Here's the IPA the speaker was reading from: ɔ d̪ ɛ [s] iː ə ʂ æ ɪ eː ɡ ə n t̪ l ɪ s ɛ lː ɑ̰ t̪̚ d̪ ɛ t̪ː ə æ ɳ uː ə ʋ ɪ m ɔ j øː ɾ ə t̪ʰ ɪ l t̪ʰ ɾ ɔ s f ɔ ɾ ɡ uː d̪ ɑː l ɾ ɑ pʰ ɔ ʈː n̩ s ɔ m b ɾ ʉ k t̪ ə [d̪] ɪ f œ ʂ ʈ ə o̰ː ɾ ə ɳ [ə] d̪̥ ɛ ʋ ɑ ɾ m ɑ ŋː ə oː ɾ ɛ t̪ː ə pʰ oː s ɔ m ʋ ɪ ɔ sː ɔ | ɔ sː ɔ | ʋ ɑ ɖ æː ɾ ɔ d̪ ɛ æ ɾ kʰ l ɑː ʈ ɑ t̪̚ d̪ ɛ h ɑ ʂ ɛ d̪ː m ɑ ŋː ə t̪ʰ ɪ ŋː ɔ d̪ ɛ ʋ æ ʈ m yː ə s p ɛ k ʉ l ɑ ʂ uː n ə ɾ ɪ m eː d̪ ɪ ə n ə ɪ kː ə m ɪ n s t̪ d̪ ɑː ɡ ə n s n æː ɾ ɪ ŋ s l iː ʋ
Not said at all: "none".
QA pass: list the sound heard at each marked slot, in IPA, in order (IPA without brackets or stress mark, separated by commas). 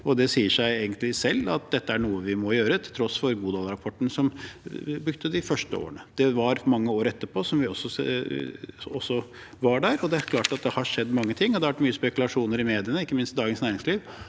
s, d̪, ə